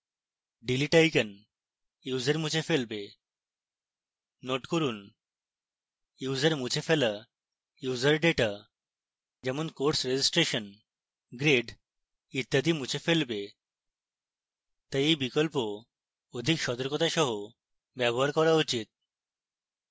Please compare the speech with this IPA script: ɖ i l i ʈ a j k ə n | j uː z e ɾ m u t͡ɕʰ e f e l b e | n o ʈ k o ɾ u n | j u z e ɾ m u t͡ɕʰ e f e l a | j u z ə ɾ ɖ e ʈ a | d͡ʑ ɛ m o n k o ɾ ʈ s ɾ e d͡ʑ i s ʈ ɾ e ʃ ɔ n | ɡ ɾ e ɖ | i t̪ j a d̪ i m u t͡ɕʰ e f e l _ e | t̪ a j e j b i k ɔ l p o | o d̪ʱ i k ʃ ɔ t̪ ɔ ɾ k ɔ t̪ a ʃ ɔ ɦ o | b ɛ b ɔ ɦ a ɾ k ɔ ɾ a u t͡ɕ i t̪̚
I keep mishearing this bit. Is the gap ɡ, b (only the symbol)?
b